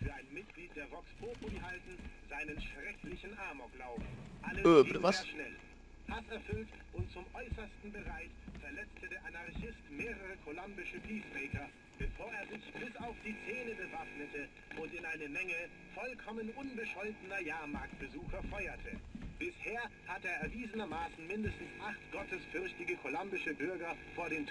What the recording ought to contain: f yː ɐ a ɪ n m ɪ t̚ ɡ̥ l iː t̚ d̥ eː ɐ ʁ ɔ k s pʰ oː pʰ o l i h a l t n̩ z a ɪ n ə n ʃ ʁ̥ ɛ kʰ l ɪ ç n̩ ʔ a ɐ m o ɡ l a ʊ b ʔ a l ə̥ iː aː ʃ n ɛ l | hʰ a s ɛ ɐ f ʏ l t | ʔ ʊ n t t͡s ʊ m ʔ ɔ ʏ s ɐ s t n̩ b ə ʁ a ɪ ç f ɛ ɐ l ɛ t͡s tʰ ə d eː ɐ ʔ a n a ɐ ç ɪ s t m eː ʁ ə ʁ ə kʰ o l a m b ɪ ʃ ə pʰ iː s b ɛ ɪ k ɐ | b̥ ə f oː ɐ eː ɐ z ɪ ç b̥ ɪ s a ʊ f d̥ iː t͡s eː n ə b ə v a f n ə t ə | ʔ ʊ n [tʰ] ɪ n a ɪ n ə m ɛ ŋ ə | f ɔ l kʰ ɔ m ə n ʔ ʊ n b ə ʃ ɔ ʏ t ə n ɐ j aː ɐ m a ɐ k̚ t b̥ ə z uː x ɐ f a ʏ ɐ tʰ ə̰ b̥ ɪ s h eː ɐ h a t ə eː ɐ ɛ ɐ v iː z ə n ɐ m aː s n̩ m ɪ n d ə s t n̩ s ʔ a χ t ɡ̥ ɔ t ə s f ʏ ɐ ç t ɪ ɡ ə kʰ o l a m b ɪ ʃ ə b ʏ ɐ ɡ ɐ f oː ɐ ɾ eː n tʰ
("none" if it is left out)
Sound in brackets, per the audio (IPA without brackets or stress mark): t